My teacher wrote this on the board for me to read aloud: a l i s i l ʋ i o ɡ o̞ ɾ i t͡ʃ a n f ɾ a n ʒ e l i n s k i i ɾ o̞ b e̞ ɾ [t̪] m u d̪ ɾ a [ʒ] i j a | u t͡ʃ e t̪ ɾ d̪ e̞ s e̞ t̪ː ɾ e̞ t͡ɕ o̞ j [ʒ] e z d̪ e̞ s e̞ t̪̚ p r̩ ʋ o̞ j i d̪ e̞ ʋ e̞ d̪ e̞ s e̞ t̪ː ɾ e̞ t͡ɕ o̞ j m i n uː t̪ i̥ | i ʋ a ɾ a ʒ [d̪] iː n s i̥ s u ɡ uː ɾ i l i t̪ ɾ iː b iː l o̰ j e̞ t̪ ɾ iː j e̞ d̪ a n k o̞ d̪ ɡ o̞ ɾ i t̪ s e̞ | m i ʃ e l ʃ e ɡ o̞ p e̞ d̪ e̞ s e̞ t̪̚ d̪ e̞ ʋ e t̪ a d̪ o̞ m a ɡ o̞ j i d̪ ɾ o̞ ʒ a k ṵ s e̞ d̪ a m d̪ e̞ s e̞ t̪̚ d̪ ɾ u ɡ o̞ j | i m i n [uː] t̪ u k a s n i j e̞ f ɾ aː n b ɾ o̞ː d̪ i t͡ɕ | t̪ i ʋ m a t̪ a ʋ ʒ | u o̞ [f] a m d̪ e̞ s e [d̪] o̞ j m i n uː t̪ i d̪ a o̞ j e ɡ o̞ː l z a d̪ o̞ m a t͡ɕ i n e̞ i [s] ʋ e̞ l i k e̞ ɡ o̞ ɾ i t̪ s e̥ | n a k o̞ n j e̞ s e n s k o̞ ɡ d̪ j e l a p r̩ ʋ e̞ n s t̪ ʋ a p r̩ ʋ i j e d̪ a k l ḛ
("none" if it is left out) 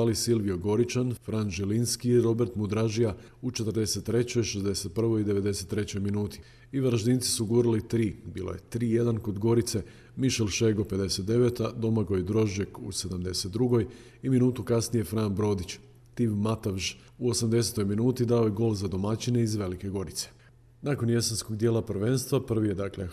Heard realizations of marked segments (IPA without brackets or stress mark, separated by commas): t̪, ʒ, ʃ, d̪, uː, s, t̪, z